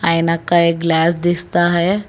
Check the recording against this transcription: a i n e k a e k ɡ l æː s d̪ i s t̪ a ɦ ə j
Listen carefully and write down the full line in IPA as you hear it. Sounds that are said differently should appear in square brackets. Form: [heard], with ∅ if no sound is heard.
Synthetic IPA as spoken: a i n [a] k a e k ɡ l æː s d̪ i s t̪ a ɦ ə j